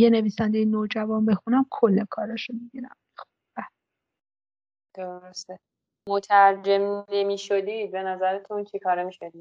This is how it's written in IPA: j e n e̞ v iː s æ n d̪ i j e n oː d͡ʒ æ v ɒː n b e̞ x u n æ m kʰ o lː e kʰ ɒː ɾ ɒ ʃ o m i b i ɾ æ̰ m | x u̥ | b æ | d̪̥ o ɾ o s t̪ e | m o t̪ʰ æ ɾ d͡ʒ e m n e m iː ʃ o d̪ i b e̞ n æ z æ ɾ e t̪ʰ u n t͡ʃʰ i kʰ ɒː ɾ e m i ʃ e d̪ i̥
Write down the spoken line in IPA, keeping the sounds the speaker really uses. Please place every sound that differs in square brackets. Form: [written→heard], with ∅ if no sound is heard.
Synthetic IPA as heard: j e n e̞ v iː s æ n d̪ [i→e] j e n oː d͡ʒ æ v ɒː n b e̞ x u n æ m kʰ o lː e kʰ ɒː ɾ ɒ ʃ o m i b i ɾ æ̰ m | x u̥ | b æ | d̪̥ o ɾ o s t̪ e | m o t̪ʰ æ ɾ d͡ʒ e m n e m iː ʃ o d̪ i b e̞ n æ z æ ɾ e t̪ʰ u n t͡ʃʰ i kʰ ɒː ɾ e m i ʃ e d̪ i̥